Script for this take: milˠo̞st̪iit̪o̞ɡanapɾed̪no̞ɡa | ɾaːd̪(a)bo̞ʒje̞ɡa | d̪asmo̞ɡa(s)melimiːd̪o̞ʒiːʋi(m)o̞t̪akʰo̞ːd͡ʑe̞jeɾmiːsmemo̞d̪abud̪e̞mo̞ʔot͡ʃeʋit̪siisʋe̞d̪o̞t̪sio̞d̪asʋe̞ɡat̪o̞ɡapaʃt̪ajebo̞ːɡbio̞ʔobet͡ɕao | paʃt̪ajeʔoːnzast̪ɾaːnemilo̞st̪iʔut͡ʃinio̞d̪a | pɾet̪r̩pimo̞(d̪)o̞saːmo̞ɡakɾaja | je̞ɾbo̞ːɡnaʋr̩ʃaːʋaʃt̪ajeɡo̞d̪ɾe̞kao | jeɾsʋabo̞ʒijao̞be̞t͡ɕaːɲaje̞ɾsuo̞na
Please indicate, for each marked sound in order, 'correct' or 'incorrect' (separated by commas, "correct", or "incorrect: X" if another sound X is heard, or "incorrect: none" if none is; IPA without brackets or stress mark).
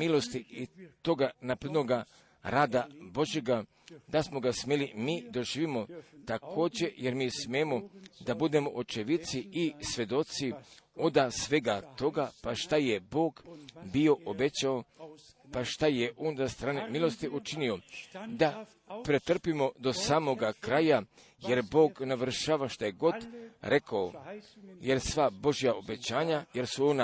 correct, correct, correct, correct